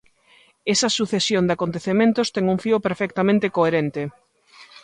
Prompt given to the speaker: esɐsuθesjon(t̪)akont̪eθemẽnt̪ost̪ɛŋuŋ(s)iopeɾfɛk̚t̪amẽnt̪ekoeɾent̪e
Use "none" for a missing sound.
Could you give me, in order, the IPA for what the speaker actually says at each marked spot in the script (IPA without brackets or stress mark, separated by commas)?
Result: d̪, f